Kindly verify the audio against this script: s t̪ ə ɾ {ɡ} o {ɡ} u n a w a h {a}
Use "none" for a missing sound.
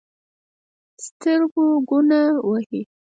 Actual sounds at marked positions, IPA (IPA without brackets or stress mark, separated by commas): ɡ, ɡ, i